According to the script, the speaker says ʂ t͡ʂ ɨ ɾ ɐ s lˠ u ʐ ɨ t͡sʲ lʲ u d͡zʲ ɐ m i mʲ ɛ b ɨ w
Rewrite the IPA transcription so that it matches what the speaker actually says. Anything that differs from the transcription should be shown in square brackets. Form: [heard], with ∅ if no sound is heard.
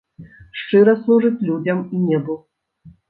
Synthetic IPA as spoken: ʂ t͡ʂ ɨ ɾ ɐ s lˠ u ʐ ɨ t͡sʲ lʲ u d͡zʲ ɐ m i [nʲ] ɛ b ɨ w